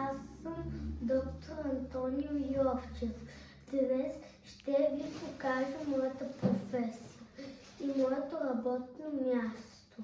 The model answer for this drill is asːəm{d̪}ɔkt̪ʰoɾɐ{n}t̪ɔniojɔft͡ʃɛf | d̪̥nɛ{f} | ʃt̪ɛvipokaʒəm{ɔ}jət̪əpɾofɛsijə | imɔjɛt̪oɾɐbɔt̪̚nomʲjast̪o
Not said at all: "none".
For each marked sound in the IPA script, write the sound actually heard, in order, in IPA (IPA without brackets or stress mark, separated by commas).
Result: d̪, n, s, ɔ